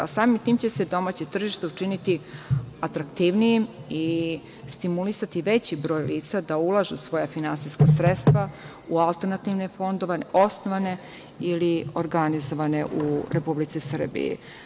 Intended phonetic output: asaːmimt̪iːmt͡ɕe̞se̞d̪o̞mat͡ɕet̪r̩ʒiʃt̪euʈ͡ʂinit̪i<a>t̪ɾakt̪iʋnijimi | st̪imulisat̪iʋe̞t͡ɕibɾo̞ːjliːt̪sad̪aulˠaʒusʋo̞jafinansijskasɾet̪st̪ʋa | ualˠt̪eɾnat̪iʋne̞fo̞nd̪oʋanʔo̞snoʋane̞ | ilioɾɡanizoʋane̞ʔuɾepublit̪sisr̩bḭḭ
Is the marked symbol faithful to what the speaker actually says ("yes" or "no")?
yes